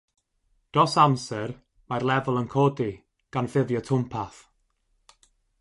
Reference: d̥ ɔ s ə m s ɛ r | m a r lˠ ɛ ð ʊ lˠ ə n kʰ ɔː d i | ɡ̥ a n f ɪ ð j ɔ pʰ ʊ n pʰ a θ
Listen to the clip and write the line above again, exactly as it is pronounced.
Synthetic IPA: d̥ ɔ s a m s ɛ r | m a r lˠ ɛ v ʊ lˠ ə n kʰ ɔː d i | ɡ̥ a n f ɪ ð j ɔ tʰ ʊ m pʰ a θ

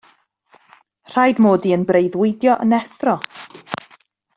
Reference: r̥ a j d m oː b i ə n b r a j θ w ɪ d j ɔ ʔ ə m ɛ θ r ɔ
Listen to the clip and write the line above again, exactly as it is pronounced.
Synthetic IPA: r̥ a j d m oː d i ə n b r e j ð w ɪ d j ɔ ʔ ə n ɛ θ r ɔ

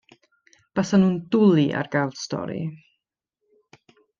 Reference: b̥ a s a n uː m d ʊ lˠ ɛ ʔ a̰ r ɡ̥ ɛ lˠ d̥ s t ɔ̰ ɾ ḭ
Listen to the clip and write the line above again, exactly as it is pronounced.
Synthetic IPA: b̥ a s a n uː n d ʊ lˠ i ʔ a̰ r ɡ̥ a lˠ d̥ s t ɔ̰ ɾ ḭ

